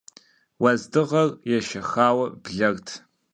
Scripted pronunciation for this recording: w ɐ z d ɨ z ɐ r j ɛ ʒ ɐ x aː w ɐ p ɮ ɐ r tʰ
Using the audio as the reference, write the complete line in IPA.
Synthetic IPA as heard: w ɐ z d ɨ ʁ ɐ r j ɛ ʃ ɐ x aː w ɐ b ɮ ɐ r tʰ